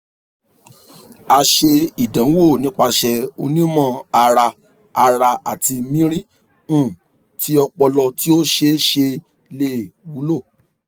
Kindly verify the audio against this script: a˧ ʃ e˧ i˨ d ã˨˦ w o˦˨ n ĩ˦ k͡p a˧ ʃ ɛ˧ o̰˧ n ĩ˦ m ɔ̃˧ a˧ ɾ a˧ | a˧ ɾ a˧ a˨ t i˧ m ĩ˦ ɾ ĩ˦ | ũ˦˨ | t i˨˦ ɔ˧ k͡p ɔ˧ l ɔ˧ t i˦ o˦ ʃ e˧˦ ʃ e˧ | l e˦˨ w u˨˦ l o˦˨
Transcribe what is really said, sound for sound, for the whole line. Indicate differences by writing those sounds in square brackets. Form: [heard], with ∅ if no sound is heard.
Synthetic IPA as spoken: a˧ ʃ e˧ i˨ d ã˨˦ w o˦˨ n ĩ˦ k͡p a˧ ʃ ɛ˧ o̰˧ n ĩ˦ m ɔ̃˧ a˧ ɾ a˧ | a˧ ɾ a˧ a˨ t i˧ m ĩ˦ ɾ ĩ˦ | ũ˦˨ | t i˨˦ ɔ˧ k͡p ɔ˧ l ɔ˧ t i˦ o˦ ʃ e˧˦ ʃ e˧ | l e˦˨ w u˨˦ l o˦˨

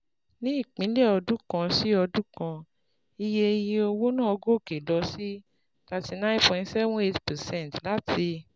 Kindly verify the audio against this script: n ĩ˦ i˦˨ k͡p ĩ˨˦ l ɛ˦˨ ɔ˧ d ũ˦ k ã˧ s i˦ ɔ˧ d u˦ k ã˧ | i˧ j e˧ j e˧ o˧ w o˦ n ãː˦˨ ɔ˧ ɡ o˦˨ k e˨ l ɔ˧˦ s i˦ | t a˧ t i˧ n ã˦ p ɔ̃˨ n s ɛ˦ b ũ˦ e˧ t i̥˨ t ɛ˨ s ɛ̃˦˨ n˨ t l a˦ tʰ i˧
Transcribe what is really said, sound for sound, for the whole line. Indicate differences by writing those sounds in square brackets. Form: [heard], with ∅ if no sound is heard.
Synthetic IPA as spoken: n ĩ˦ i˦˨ k͡p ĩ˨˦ l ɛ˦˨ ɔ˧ d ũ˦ k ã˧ s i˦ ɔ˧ d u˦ k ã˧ | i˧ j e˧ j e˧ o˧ w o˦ n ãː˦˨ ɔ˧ ɡ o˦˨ k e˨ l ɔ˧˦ s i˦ | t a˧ t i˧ n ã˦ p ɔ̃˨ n s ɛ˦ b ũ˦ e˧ t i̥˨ [p] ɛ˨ s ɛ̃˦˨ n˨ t l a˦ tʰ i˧

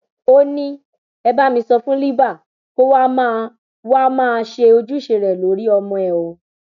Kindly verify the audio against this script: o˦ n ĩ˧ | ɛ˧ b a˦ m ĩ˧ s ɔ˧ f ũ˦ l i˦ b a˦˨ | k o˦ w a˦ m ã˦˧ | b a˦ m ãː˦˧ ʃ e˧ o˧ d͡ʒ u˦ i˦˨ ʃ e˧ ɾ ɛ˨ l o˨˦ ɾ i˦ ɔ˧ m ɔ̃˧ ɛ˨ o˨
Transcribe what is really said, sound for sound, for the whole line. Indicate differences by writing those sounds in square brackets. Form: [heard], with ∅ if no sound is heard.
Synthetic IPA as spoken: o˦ n ĩ˧ | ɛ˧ b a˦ m ĩ˧ s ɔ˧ f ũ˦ l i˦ b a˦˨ | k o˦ w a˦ m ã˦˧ | [w] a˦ m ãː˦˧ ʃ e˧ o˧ d͡ʒ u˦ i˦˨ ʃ e˧ ɾ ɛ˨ l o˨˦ ɾ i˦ ɔ˧ m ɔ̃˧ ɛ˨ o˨

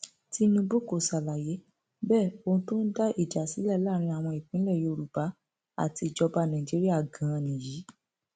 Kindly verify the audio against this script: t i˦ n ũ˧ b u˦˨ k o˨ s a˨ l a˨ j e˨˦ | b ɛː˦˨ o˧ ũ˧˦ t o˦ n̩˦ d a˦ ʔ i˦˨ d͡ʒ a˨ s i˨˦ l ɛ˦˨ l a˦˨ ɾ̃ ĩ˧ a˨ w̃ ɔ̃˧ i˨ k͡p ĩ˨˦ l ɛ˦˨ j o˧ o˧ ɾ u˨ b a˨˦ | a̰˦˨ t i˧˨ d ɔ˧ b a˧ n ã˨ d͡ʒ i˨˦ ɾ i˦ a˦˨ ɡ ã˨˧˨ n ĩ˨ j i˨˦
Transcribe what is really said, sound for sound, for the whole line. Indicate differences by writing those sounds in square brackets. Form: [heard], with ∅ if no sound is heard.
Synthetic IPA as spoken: t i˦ n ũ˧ b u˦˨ k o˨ s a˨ l a˨ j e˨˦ | b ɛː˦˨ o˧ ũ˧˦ t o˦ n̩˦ d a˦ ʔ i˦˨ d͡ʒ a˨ s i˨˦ l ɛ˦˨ l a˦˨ ɾ̃ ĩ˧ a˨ w̃ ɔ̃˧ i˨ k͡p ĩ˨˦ l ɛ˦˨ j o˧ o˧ ɾ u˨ b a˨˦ | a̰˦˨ t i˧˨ [d͡ʒ] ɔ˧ b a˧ n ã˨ d͡ʒ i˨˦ ɾ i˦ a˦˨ ɡ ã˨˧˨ n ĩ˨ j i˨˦

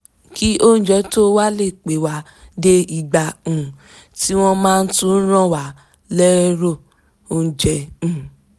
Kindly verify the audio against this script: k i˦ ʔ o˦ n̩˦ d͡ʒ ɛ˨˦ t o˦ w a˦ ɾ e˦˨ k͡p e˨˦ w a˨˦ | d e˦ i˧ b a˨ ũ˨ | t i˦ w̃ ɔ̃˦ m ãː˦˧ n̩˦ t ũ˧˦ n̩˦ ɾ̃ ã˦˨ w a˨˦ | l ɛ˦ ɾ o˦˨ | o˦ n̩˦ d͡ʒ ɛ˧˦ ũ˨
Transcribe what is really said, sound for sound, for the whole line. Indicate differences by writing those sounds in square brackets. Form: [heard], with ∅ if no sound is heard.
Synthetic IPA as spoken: k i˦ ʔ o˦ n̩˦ d͡ʒ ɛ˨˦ t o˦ w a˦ [l] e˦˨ k͡p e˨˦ w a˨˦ | d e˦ i˧ [ɡ͡b] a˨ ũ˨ | t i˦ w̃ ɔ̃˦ m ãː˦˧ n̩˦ t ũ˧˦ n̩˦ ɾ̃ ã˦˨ w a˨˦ | l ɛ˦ ɾ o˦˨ | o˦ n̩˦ d͡ʒ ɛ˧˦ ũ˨

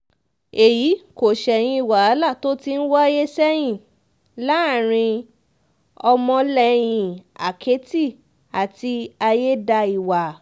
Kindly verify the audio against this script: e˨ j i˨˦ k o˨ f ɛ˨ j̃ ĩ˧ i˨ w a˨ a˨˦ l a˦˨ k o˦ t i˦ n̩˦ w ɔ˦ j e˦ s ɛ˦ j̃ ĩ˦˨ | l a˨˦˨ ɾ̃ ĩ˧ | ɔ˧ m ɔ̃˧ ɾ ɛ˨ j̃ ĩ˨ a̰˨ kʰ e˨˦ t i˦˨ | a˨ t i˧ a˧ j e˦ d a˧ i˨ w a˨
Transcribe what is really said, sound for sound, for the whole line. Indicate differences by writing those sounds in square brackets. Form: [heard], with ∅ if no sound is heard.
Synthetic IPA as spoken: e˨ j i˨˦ k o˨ [ʃ] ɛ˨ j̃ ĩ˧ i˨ w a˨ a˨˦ l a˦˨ [t] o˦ t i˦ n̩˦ w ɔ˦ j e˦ s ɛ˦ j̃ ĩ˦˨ | l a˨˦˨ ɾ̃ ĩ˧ | ɔ˧ m ɔ̃˧ [l] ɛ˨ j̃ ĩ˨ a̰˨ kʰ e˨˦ t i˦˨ | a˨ t i˧ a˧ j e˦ d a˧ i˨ w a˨

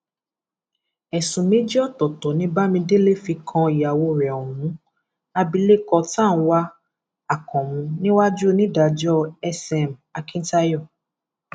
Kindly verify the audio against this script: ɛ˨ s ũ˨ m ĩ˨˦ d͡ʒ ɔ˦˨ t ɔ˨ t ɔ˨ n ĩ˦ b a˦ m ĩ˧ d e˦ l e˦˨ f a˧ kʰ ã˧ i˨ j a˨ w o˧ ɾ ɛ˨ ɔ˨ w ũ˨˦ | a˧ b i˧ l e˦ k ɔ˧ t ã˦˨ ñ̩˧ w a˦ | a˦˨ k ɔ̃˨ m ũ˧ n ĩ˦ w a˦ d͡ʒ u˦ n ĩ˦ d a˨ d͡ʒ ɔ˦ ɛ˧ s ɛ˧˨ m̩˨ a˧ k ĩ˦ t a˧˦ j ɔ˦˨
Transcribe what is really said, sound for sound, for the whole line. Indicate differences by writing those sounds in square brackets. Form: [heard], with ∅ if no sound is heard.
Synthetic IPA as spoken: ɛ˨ s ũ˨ m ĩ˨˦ d͡ʒ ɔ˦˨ t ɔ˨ t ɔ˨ n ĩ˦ b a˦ m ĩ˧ d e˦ l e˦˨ f [i˧] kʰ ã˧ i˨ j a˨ w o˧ ɾ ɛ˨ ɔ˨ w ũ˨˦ | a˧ b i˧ l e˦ k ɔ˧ t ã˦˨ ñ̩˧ w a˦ | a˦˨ k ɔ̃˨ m ũ˧ n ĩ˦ w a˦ d͡ʒ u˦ n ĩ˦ d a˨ d͡ʒ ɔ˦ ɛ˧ s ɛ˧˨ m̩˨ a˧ k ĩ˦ t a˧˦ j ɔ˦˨

